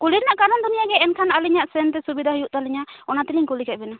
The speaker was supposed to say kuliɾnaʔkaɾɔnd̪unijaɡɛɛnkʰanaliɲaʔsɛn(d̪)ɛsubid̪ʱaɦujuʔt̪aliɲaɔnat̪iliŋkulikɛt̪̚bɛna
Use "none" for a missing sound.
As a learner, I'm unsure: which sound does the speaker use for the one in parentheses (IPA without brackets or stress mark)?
t̪